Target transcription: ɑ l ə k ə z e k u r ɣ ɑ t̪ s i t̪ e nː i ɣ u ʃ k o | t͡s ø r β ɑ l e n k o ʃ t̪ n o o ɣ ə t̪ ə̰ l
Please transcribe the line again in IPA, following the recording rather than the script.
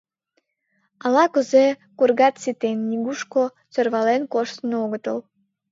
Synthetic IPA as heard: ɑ l ɑ k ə z e k u r ɣ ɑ t̪ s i t̪ e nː i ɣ u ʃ k o | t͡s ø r β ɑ l e n k o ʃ t̪ n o o ɣ ə t̪ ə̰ l